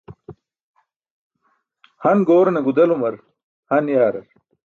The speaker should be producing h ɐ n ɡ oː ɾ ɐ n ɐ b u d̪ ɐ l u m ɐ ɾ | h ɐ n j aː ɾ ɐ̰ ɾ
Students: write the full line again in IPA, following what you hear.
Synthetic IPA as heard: h ɐ n ɡ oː ɾ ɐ n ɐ ɡ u d̪ ɐ l u m ɐ ɾ | h ɐ n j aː ɾ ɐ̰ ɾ